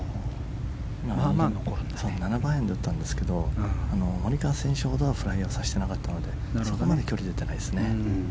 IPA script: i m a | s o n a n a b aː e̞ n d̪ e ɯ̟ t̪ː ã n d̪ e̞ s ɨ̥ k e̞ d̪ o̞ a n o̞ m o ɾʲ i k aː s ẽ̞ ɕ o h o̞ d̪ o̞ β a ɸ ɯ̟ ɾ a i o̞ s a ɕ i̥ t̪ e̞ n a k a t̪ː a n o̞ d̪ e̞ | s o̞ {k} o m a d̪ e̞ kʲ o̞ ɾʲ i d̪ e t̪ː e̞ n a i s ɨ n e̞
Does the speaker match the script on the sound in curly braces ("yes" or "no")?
yes